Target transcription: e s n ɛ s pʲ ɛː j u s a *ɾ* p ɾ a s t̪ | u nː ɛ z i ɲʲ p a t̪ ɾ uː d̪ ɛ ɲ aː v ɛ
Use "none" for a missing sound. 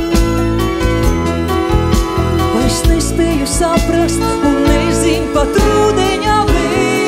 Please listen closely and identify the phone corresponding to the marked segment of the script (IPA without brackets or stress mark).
none